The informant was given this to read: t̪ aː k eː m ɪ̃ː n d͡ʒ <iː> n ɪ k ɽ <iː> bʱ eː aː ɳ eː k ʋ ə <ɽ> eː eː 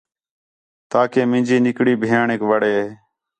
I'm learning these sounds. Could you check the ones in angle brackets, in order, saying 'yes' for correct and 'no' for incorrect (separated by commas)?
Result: yes, yes, yes